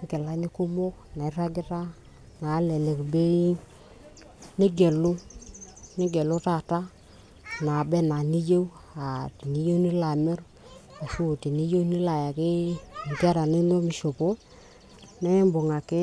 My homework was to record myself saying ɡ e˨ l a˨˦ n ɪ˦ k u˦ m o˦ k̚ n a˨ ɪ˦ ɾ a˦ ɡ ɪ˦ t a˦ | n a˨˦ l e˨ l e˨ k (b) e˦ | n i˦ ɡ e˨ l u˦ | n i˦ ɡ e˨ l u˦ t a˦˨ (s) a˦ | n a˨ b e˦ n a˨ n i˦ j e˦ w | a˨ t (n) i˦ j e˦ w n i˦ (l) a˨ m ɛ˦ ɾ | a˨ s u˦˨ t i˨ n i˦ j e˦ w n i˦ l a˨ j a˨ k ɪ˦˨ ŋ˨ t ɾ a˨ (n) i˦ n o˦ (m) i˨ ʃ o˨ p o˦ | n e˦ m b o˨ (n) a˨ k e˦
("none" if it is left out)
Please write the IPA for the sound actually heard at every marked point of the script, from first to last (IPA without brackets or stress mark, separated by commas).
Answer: b, t, n, l, n, m, ŋ